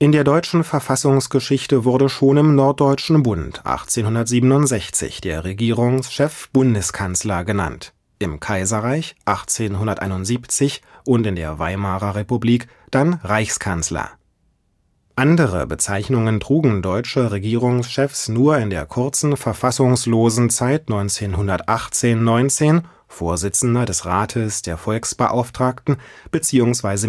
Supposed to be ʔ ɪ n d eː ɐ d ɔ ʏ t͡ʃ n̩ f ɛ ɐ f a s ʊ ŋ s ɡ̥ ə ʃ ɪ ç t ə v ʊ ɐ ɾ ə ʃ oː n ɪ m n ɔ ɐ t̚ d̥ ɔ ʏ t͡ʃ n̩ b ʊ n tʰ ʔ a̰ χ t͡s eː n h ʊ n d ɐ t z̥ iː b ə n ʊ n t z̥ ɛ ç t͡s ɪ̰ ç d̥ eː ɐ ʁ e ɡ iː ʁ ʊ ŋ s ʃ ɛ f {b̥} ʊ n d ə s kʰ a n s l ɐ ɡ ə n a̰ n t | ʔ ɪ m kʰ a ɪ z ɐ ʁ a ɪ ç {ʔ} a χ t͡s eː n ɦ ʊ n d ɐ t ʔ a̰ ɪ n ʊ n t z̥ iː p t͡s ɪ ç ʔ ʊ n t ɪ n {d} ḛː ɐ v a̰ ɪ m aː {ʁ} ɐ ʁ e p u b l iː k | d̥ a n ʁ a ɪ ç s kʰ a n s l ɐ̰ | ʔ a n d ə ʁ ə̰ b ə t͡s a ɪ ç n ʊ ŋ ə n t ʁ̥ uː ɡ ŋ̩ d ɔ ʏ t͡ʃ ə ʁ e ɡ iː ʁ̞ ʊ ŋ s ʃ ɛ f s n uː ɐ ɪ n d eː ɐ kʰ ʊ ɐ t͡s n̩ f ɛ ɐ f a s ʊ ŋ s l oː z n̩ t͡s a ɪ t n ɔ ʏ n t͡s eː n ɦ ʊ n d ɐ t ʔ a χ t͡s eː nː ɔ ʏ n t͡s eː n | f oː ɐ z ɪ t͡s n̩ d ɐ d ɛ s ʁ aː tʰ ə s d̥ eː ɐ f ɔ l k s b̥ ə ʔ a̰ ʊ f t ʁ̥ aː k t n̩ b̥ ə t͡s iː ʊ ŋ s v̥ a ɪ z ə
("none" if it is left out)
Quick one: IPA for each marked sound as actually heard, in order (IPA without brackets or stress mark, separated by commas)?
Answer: b̥, ʔ, d, ʁ